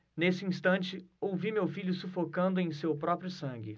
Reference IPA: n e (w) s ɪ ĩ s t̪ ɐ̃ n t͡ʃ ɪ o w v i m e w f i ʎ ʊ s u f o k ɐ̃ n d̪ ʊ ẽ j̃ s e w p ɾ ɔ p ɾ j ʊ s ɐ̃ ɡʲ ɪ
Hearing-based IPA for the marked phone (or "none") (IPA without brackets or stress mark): none